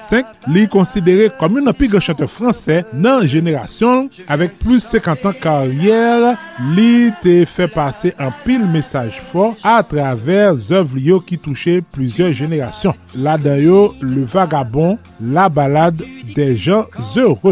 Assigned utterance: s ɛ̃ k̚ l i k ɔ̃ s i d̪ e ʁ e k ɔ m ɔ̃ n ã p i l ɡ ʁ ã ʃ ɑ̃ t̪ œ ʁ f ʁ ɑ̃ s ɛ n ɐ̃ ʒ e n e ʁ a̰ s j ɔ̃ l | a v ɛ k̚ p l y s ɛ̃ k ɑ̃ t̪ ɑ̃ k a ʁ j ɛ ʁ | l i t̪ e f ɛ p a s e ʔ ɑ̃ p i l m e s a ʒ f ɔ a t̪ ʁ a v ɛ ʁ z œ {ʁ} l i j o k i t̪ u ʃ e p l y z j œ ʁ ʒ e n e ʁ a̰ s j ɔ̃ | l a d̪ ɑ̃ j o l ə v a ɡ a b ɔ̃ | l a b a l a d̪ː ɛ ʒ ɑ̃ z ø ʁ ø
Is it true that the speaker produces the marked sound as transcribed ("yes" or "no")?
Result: no